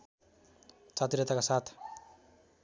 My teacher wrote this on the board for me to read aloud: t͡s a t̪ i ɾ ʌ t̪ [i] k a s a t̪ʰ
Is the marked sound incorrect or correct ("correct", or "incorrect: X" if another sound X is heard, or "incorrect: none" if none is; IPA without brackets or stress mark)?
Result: incorrect: a